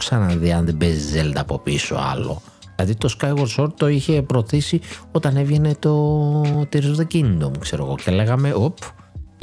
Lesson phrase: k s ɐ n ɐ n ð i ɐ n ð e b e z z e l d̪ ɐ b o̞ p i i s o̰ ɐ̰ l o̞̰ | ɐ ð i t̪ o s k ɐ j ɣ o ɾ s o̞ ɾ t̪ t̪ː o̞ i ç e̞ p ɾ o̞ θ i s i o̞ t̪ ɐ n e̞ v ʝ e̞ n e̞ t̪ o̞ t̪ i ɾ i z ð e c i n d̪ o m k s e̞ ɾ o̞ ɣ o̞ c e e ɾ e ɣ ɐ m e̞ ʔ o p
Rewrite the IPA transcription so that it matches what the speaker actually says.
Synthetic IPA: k s ɐ n ɐ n ð i ɐ n ð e b e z z e l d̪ ɐ p o̞ p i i s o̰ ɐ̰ l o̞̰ | ɐ ð i t̪ o s k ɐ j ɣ o ɾ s o̞ ɾ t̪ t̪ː o̞ i ç e̞ p ɾ o̞ θ i s i o̞ t̪ ɐ n e̞ v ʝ e̞ n e̞ t̪ o̞ t̪ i ɾ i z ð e c i n d̪ o m k s e̞ ɾ o̞ ɣ o̞ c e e l e ɣ ɐ m e̞ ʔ o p